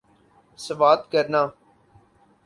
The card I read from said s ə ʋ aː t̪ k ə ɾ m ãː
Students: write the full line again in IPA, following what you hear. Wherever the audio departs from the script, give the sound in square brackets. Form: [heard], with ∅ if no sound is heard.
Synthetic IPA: s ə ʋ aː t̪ k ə ɾ [n] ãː